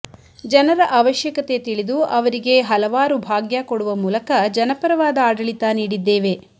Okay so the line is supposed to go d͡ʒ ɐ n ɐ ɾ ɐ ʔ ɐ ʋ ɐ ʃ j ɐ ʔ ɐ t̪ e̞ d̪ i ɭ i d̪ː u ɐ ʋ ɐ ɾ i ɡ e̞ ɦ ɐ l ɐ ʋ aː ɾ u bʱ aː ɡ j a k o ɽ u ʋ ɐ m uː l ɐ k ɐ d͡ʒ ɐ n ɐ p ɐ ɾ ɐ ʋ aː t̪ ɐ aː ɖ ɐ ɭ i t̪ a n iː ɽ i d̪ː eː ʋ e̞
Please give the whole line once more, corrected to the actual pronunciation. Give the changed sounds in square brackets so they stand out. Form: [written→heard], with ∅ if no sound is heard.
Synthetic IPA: d͡ʒ ɐ n ɐ ɾ ɐ ʔ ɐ ʋ ɐ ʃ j ɐ [ʔ→k] ɐ t̪ e̞ [d̪→t̪] i ɭ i [d̪ː→d̪] u ɐ ʋ ɐ ɾ i ɡ e̞ ɦ ɐ l ɐ ʋ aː ɾ u bʱ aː ɡ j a k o ɽ u ʋ ɐ m uː l ɐ k ɐ d͡ʒ ɐ n ɐ p ɐ ɾ ɐ ʋ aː [t̪→d̪] ɐ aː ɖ ɐ ɭ i t̪ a n iː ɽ i d̪ː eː ʋ e̞